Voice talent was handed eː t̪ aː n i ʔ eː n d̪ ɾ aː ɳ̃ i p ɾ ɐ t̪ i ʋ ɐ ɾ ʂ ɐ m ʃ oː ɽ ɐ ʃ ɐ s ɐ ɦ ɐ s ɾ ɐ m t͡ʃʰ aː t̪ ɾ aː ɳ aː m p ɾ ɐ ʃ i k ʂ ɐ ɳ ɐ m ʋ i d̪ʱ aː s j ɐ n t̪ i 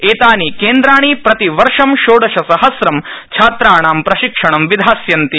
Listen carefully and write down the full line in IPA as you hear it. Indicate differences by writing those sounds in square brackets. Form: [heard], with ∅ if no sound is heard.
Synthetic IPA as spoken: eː t̪ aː n i [k] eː n d̪ ɾ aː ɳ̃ i p ɾ ɐ t̪ i ʋ ɐ ɾ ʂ ɐ m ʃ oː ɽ ɐ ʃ ɐ s ɐ ɦ ɐ s ɾ ɐ m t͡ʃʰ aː t̪ ɾ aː ɳ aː m p ɾ ɐ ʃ i k ʂ ɐ ɳ ɐ m ʋ i d̪ʱ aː s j ɐ n t̪ i

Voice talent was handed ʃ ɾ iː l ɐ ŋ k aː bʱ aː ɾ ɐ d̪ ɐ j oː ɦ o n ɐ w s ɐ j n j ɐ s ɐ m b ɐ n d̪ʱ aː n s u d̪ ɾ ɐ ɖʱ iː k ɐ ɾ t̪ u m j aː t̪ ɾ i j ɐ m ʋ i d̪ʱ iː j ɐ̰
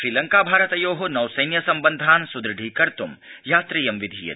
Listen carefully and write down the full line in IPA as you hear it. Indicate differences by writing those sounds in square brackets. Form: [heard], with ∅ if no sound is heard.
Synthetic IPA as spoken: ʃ ɾ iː l ɐ ŋ k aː bʱ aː ɾ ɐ [t̪] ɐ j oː ɦ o n ɐ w s ɐ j n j ɐ s ɐ m b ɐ n d̪ʱ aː n s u d̪ ɾ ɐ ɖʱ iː k ɐ ɾ t̪ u m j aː t̪ ɾ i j ɐ m ʋ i d̪ʱ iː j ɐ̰

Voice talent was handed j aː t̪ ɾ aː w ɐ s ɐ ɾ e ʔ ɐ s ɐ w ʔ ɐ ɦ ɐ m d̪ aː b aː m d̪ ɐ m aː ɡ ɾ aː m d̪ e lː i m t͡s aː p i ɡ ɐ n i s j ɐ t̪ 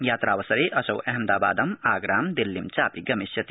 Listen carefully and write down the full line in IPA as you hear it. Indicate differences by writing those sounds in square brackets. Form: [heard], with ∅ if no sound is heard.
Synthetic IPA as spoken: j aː t̪ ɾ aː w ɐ s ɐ ɾ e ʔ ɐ s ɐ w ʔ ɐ ɦ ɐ m d̪ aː b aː [∅] d̪ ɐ m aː ɡ ɾ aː m d̪ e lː i m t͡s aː p i ɡ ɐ [m] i s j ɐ t̪

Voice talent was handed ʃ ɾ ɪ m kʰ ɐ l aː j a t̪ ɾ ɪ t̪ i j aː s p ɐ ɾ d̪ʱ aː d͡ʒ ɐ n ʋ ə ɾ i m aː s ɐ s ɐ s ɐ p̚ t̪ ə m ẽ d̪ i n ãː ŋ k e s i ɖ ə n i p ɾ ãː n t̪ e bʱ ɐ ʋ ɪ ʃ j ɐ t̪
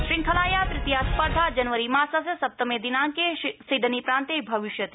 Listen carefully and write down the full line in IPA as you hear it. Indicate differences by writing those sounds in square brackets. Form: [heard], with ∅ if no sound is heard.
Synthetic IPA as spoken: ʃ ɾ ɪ [ŋ] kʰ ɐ l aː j a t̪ ɾ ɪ t̪ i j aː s p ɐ ɾ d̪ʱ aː d͡ʒ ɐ n ʋ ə ɾ i m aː s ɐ s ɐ s ɐ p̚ t̪ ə m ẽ d̪ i n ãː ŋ k e s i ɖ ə n i p ɾ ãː n t̪ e bʱ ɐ ʋ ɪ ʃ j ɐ t̪

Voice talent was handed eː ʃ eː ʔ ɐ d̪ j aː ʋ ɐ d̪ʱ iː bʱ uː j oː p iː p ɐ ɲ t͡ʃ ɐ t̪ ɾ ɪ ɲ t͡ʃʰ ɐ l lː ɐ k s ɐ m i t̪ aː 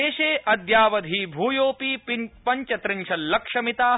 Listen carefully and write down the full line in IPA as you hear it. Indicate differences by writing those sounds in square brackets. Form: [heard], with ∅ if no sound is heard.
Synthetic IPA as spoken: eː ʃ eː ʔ ɐ d̪ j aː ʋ ɐ d̪ʱ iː bʱ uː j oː p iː p ɐ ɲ t͡ʃ ɐ t̪ ɾ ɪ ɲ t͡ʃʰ ɐ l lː ɐ k [ʂ] ɐ m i t̪ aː

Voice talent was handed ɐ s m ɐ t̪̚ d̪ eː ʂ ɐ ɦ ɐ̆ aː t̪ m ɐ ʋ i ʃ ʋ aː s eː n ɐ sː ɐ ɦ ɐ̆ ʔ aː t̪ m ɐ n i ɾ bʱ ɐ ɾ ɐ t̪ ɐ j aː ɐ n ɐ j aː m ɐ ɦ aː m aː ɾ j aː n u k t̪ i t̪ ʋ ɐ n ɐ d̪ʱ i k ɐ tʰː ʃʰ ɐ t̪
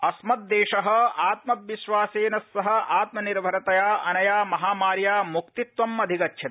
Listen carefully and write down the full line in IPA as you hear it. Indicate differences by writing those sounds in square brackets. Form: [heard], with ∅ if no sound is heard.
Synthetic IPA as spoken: ɐ s m ɐ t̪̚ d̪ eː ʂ ɐ ɦ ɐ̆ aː t̪ m ɐ ʋ i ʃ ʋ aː s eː n ɐ sː ɐ ɦ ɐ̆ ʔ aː t̪ m ɐ n i ɾ bʱ ɐ ɾ ɐ t̪ ɐ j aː ɐ n ɐ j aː m ɐ ɦ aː m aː ɾ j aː [m] u k t̪ i t̪ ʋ ɐ [m] ɐ d̪ʱ i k ɐ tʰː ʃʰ ɐ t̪

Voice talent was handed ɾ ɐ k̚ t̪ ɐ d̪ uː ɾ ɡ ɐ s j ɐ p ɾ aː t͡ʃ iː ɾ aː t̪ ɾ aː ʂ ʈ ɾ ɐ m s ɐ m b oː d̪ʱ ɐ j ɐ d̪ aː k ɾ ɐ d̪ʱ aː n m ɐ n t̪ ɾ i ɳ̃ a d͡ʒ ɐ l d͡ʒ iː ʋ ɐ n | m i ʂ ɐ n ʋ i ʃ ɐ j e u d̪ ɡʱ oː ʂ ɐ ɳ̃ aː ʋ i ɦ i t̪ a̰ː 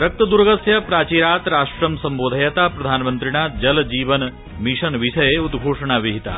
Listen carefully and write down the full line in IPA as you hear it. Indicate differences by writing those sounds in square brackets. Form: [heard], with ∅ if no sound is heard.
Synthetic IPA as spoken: ɾ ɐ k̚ t̪ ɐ d̪ [u] ɾ ɡ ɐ s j ɐ p ɾ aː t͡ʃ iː ɾ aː t̪ ɾ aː ʂ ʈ ɾ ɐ m s ɐ m b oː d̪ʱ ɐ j ɐ [t̪] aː [p] ɾ ɐ d̪ʱ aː n m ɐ n t̪ ɾ i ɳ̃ a d͡ʒ ɐ l d͡ʒ iː ʋ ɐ n | m i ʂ ɐ n ʋ i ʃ ɐ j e u d̪ ɡʱ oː ʂ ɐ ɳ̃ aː ʋ i ɦ i t̪ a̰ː

